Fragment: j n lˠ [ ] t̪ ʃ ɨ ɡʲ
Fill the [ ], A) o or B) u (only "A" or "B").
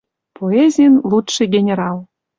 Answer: B